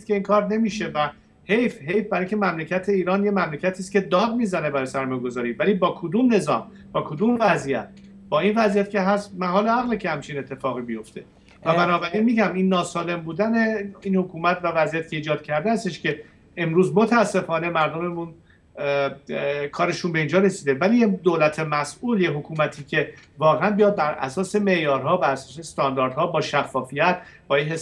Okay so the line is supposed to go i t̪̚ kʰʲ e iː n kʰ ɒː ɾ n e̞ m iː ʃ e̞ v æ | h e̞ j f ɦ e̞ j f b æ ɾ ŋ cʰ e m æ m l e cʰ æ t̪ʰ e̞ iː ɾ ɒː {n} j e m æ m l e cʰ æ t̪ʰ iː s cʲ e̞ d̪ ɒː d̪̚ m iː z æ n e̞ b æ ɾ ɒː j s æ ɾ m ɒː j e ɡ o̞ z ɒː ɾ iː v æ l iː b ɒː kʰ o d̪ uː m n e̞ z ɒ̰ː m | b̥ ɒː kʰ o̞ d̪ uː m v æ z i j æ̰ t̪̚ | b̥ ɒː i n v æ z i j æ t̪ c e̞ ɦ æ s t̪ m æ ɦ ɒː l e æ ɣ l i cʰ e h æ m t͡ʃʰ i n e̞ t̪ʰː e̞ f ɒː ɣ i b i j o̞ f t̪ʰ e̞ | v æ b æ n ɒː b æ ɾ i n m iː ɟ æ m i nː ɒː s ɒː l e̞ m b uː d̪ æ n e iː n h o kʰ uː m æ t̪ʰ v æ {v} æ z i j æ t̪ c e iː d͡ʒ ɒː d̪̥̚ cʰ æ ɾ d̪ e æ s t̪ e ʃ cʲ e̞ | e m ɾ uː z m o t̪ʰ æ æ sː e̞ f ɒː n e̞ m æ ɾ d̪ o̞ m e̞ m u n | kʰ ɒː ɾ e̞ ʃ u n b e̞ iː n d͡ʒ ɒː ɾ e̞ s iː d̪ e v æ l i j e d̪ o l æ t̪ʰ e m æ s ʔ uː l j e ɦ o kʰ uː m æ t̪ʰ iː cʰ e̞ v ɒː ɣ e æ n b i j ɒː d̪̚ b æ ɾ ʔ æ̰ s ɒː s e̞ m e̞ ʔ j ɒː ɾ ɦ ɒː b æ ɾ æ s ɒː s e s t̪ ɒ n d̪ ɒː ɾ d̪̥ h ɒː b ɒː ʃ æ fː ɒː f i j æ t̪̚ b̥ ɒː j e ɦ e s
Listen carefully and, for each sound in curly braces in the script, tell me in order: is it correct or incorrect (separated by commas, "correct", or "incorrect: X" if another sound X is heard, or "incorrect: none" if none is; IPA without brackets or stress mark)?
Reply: correct, correct